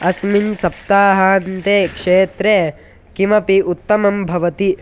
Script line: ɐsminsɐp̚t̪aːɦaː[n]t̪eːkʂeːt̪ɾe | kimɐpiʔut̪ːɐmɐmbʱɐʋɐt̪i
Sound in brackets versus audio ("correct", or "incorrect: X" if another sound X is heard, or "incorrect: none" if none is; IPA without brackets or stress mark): correct